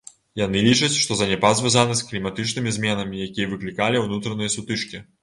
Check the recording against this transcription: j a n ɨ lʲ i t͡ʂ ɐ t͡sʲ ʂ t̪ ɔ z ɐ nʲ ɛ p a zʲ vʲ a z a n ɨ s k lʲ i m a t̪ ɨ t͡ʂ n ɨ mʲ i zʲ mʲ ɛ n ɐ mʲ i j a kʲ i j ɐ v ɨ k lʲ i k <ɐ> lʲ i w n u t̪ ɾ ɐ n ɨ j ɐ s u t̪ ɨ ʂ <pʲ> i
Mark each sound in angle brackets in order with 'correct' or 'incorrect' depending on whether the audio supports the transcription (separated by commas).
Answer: incorrect, incorrect